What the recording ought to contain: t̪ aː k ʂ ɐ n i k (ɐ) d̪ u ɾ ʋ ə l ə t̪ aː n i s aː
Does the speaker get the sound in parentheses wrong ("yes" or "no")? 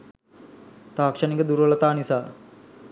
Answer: yes